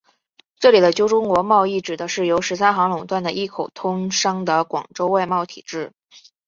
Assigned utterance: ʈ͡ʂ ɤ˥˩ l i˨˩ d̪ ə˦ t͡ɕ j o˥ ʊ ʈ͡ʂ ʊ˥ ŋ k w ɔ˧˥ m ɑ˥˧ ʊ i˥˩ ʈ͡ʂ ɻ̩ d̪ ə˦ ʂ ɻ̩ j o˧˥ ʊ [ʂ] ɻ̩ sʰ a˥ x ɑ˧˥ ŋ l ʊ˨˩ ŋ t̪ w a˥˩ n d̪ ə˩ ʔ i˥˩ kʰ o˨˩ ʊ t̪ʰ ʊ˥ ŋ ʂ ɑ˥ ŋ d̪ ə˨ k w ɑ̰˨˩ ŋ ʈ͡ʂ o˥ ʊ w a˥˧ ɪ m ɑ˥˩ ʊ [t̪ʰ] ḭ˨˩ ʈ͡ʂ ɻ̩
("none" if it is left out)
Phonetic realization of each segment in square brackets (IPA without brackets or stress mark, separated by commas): ʂ, t̪ʰ